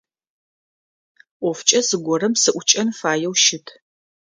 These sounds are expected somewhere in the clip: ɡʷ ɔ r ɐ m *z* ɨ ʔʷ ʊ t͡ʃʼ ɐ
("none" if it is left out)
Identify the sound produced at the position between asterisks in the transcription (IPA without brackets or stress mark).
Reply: s